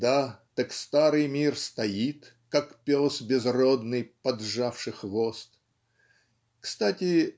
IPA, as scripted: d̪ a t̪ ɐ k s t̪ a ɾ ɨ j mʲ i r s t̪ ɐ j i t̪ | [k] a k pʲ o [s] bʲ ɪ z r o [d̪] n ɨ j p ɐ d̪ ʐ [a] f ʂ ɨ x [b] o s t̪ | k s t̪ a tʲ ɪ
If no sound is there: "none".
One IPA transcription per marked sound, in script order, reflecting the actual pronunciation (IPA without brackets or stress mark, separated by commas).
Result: k, s, d̪, a, v